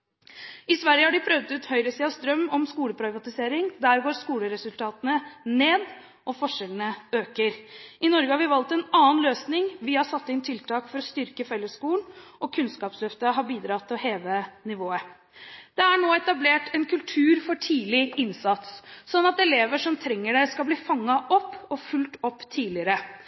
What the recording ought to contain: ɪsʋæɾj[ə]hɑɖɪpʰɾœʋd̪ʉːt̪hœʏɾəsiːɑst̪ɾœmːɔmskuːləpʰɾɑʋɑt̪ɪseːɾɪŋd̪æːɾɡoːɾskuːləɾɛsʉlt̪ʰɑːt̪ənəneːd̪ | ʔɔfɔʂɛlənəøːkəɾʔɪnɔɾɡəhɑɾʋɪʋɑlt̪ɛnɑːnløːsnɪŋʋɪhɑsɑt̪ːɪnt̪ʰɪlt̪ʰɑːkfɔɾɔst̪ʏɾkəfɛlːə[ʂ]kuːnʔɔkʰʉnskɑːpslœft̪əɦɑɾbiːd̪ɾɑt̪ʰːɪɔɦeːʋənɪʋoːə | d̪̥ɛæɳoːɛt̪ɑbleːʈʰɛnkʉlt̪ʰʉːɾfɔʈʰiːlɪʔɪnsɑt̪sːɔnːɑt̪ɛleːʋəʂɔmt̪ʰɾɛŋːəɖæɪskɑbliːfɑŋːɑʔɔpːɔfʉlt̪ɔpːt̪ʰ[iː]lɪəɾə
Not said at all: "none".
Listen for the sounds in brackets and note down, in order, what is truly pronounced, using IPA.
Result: ə, s, iː

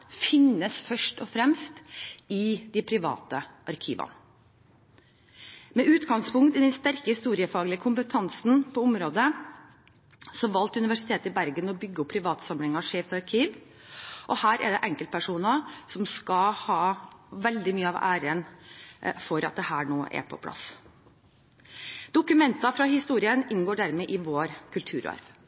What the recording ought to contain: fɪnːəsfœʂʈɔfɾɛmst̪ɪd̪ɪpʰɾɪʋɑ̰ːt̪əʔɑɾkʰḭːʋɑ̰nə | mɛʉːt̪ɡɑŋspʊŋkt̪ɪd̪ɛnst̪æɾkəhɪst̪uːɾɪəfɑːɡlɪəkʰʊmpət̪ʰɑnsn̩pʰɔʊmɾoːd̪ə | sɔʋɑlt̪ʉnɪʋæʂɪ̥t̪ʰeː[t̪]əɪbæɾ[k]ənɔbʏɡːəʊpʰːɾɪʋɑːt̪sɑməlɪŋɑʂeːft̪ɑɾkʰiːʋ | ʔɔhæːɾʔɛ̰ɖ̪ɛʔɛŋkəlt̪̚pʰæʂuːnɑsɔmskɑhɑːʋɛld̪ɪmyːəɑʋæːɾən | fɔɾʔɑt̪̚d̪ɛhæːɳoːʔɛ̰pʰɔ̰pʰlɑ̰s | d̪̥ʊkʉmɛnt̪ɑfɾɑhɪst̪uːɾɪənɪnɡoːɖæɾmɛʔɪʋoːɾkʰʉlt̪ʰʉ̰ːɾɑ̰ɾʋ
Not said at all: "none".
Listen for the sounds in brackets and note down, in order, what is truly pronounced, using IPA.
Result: t̪, ɡ

